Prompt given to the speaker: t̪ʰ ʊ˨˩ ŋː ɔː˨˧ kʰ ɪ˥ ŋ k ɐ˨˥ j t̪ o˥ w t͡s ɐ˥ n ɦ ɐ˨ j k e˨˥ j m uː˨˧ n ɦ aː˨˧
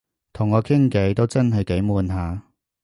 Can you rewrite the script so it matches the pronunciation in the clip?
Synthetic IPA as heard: t̪ʰ ʊ˨˩ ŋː ɔː˨˧ kʰ ɪ˥ ŋ k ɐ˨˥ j t̪ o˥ w t͡s ɐ˥ n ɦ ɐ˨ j k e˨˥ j m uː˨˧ n ɦ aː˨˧